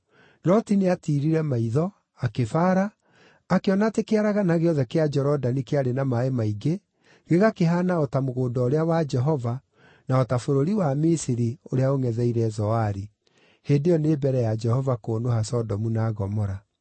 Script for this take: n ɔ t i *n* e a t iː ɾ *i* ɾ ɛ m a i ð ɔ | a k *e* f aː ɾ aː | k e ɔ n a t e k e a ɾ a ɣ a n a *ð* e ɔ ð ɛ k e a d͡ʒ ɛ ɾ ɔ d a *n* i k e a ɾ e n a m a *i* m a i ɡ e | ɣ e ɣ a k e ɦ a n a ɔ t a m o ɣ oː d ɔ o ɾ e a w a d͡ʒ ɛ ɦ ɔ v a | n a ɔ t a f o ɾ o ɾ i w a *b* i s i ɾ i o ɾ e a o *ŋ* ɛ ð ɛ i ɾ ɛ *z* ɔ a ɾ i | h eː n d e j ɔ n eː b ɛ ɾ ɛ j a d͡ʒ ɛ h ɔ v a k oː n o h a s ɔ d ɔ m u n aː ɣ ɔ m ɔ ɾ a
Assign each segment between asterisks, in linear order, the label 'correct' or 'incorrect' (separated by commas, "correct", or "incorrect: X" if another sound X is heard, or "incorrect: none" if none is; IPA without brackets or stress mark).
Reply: correct, correct, correct, incorrect: ɣ, correct, incorrect: e, incorrect: m, correct, correct